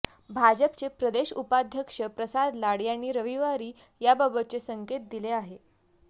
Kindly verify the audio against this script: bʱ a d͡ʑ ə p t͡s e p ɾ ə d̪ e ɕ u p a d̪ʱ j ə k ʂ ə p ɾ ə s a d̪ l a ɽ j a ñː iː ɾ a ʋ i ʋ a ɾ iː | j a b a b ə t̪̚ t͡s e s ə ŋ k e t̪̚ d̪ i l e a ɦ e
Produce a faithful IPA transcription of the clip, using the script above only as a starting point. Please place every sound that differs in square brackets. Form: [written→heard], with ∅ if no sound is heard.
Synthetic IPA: bʱ a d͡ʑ ə p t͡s e p ɾ ə d̪ e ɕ u p a d̪ʱ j ə k ʂ ə p ɾ ə s a d̪ l a ɽ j a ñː iː ɾ [a→ə] ʋ i ʋ a ɾ iː | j a b a b ə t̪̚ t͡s e s ə ŋ k e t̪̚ d̪ i l e a ɦ e